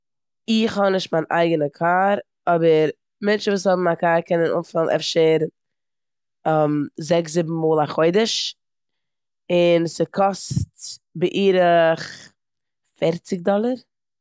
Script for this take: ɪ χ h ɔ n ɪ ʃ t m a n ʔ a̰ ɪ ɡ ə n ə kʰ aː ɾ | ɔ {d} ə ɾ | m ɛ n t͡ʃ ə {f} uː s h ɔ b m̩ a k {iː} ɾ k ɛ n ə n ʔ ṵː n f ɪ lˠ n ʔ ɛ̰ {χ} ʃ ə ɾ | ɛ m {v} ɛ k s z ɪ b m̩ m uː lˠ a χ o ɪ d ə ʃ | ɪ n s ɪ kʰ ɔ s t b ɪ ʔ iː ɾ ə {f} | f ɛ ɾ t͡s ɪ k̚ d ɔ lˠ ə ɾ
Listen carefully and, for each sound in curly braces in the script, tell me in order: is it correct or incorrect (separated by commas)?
incorrect, incorrect, incorrect, incorrect, incorrect, incorrect